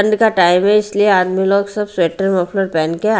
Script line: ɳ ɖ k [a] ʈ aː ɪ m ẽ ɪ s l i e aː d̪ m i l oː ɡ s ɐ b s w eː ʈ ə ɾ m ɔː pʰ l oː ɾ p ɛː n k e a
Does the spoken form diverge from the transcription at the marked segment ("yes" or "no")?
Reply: no